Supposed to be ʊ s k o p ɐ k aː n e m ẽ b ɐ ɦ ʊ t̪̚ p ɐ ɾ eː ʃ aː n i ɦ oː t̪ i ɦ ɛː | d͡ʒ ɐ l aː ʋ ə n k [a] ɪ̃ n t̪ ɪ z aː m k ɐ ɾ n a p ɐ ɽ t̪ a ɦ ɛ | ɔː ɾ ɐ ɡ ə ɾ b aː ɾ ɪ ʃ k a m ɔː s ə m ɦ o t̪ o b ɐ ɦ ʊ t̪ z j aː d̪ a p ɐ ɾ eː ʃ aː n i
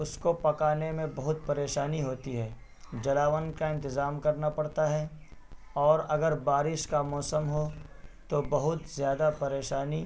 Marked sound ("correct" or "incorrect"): correct